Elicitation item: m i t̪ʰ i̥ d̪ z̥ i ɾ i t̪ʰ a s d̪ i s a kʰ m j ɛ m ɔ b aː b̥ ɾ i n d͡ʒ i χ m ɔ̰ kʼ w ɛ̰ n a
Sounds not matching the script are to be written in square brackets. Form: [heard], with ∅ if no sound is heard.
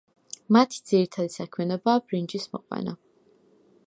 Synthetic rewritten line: m [a] t̪ʰ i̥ d̪ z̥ i ɾ i t̪ʰ a [∅] d̪ i s a kʰ m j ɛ [n] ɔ b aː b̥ ɾ i n d͡ʒ i [s] m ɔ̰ [qʼ] w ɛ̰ n a